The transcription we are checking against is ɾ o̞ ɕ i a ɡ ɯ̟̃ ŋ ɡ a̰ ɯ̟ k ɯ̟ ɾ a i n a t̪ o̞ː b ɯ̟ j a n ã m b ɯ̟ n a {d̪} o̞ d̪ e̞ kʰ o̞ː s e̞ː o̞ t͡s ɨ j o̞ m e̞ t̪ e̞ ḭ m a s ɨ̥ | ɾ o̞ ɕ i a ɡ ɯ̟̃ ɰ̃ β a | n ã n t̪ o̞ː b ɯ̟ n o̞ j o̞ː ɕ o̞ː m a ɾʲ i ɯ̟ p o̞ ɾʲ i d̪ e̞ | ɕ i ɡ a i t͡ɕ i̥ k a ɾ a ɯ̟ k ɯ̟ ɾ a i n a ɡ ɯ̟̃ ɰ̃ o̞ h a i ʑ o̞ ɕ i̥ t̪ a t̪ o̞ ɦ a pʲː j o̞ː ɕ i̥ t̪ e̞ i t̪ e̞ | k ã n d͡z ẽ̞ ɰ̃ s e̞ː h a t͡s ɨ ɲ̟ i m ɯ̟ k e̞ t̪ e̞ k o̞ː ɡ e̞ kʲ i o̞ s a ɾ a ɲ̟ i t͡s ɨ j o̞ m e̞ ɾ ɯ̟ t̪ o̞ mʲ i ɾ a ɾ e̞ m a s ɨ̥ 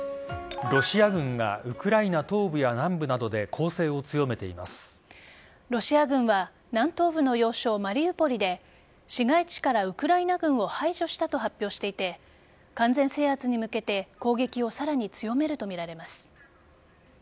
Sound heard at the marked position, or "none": d̪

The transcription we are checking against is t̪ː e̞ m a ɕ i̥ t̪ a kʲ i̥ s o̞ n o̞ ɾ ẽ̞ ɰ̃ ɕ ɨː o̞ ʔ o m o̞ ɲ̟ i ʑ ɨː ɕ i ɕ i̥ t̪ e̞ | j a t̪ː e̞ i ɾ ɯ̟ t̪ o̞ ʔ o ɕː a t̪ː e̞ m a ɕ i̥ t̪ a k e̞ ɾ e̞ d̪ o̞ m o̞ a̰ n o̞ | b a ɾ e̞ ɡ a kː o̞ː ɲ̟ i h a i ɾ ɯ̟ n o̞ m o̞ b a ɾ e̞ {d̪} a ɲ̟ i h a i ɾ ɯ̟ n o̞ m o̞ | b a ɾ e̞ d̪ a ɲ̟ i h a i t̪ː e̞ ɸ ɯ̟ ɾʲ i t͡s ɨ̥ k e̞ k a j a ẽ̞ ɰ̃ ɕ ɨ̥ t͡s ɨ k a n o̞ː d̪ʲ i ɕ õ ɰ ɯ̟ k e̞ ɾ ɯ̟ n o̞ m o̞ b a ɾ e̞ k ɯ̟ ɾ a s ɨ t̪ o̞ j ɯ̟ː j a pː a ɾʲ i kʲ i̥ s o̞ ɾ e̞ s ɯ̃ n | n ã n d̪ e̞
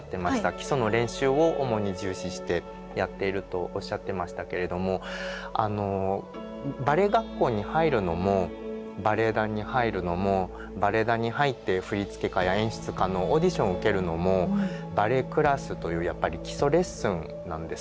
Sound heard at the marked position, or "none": d̪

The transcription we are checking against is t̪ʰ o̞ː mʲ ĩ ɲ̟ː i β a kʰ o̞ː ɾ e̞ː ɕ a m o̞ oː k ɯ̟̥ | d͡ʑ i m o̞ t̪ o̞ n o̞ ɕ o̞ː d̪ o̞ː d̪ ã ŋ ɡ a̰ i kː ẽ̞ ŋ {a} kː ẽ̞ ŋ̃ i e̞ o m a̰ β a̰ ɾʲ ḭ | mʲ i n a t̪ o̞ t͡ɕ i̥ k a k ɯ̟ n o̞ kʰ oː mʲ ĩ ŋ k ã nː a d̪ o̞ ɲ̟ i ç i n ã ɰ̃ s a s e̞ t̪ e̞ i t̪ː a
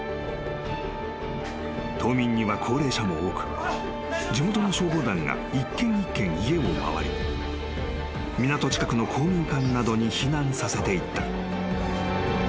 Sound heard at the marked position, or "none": i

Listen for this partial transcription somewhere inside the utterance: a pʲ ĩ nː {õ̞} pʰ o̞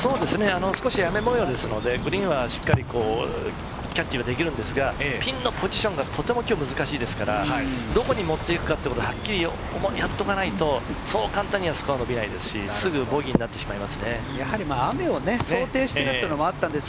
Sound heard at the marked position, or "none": o̞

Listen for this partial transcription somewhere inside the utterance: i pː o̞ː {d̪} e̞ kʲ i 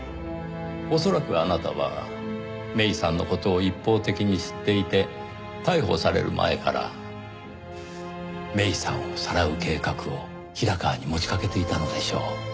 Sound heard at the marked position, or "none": t̪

